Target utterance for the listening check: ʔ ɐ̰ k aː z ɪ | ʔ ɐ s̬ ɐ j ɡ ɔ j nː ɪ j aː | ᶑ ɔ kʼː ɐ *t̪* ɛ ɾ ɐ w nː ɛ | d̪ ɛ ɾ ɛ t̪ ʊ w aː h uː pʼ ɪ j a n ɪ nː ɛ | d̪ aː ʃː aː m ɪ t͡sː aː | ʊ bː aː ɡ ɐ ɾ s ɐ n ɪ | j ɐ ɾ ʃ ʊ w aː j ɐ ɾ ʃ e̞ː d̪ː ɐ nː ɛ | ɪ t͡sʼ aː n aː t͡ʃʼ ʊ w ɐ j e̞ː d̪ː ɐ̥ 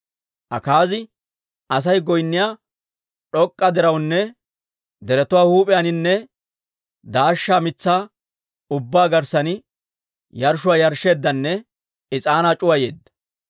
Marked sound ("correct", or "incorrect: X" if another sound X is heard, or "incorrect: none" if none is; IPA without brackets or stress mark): incorrect: d̪